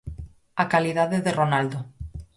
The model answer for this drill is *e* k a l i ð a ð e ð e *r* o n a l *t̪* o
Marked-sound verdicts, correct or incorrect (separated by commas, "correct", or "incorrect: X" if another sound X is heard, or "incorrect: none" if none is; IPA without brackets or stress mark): incorrect: a, correct, incorrect: d̪